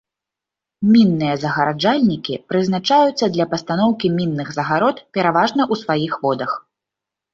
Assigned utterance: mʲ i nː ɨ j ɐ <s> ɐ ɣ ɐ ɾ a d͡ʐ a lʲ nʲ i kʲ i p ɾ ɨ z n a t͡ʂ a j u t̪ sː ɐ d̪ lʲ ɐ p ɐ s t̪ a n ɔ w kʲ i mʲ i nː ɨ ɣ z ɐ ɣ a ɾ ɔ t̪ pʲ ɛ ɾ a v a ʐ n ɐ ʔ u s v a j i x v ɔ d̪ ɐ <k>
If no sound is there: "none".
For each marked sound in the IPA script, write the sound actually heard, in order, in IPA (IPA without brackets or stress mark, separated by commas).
z, x